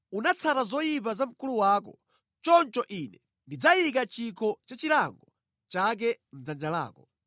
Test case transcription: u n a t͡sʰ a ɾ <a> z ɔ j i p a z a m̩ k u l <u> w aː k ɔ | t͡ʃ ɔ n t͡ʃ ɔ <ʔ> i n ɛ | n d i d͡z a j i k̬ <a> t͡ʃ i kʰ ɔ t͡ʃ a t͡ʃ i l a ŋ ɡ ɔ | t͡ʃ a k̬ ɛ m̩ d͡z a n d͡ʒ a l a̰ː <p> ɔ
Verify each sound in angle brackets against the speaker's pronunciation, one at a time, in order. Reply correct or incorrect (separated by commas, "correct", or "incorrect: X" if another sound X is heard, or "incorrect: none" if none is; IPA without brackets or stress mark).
correct, correct, correct, correct, incorrect: k